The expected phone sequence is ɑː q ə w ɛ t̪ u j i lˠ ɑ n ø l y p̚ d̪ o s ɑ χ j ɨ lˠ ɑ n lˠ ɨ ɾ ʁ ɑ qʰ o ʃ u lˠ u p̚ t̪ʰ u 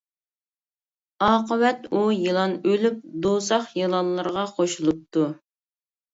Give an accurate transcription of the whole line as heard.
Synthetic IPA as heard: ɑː q ə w ɛ t̪ u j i lˠ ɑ n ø l y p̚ d̪ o s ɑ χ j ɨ lˠ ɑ n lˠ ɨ ɾ ʁ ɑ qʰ o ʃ u lˠ u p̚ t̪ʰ u

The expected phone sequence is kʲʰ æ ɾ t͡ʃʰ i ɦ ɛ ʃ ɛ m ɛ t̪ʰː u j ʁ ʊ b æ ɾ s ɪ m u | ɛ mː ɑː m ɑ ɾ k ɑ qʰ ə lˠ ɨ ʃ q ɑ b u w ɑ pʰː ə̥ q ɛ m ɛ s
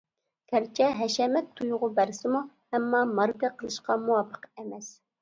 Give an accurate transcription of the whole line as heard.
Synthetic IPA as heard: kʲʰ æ ɾ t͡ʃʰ ɛ ɦ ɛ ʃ ɛ m ɛ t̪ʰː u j ʁ ʊ b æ ɾ s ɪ m u | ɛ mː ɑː m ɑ ɾ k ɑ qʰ ə lˠ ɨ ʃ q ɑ m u w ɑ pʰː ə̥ q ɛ m ɛ s

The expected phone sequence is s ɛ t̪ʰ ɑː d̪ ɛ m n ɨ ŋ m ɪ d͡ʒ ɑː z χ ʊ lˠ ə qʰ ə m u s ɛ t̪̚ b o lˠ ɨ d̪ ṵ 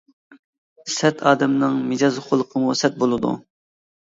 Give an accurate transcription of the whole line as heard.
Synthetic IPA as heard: s ɛ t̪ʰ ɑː d̪ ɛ m n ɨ ŋ m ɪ d͡ʒ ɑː z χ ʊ lˠ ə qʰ ə m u s ɛ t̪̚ b o lˠ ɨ d̪ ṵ

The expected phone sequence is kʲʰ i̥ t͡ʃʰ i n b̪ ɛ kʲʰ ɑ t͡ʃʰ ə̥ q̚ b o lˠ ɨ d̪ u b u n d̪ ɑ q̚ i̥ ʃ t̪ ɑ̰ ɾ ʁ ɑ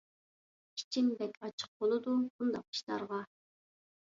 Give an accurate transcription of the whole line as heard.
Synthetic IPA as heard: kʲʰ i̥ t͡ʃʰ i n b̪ ɛ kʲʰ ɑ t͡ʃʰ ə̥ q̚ b o lˠ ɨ d̪ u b u n d̪ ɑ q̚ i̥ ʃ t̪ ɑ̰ ɾ ʁ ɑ

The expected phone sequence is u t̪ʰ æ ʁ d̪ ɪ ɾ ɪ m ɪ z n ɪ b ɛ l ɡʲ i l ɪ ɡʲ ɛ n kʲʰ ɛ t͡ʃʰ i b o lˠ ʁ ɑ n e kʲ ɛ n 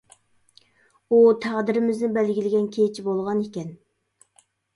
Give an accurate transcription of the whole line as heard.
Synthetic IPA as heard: u t̪ʰ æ ʁ d̪ ɪ ɾ ɪ m ɪ z n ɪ b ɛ l ɡʲ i l ɪ ɡʲ ɛ n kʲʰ e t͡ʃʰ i b o lˠ ʁ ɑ n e kʲ ɛ n

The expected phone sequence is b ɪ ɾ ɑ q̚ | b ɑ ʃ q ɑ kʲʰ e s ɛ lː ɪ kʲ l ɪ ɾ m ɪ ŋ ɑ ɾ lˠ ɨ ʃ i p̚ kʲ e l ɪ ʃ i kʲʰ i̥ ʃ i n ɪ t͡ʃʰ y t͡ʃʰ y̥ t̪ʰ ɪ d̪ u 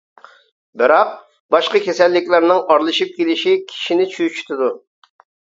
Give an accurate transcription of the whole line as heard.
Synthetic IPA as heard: b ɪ ɾ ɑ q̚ | b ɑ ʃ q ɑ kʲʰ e s ɛ lː ɪ kʲ l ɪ ɾ n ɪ ŋ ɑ ɾ lˠ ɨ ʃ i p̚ kʲ e l ɪ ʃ i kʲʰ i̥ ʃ i n ɪ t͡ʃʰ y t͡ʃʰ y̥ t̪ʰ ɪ d̪ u

